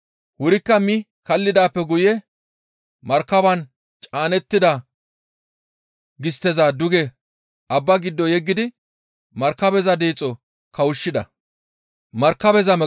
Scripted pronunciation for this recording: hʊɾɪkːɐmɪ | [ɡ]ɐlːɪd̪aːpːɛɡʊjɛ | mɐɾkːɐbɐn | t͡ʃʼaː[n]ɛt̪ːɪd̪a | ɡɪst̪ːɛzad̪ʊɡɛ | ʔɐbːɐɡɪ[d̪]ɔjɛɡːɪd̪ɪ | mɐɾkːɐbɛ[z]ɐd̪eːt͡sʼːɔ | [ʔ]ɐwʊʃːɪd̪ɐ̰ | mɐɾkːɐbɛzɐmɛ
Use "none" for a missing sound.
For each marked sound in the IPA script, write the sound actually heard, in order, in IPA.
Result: k, n, d̪ː, z, k

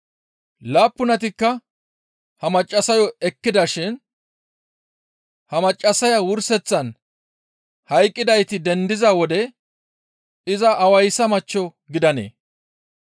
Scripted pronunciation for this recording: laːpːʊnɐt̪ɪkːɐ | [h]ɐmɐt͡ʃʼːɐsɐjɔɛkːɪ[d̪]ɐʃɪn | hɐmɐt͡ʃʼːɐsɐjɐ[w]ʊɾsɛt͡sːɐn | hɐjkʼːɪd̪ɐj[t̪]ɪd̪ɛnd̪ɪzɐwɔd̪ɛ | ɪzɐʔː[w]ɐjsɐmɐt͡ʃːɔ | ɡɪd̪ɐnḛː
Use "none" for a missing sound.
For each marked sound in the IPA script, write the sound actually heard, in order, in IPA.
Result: h, d̪, w, t̪, w

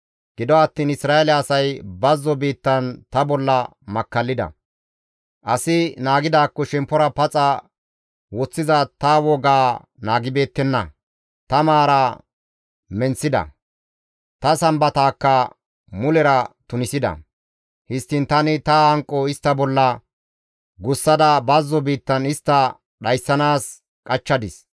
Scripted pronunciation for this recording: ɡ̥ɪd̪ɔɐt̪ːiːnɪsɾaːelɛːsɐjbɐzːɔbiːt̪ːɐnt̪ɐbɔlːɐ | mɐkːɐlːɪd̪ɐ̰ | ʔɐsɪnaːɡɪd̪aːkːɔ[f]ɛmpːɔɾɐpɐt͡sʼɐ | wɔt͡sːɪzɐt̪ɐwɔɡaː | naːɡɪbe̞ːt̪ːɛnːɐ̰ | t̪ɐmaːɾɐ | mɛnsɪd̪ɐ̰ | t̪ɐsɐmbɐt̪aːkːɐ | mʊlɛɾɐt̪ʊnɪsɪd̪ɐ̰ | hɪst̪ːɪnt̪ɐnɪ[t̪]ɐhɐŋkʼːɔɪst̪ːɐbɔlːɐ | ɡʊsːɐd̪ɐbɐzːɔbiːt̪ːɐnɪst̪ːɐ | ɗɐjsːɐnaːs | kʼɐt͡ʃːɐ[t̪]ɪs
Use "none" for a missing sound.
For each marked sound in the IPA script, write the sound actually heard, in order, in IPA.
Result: ʃ, t̪, d̪

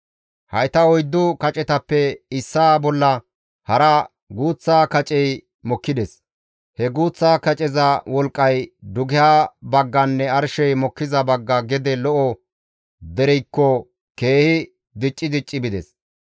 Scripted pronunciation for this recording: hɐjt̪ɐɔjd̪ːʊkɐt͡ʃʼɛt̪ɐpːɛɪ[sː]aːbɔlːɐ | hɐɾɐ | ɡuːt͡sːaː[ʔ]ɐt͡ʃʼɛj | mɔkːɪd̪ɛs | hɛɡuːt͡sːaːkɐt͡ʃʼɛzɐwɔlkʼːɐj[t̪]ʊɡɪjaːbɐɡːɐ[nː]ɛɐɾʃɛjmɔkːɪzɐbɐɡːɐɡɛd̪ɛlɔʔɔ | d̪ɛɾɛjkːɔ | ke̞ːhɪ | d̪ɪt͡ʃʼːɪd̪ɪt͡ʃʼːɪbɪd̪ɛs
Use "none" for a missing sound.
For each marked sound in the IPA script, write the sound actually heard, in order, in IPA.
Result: sː, k, d̪, nː

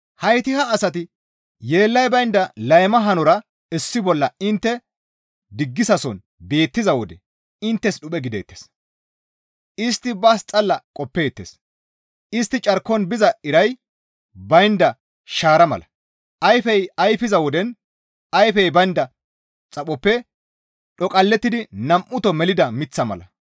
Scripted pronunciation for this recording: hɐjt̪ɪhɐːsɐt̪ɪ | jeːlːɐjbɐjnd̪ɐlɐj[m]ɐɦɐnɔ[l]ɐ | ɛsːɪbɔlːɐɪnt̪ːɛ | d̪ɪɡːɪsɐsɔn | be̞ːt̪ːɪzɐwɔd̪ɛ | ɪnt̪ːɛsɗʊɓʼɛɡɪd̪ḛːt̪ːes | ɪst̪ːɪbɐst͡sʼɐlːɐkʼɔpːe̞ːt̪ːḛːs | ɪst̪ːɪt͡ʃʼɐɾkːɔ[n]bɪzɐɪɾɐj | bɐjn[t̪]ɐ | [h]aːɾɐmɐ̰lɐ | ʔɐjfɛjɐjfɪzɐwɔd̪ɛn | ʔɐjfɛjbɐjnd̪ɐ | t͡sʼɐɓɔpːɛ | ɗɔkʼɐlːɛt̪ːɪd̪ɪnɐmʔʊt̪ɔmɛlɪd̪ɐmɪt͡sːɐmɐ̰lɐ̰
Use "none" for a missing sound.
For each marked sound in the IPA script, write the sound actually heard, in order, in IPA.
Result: m, ɾ, n, d̪, ʃ

